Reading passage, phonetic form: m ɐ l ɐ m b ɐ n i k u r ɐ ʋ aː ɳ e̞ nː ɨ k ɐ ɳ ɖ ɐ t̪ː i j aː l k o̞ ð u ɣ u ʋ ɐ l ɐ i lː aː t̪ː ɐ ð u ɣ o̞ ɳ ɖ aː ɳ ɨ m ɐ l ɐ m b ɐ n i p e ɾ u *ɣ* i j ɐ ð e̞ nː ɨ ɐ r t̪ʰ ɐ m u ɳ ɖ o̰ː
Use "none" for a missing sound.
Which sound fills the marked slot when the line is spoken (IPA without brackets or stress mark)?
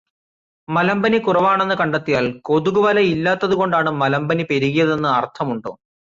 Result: ɣ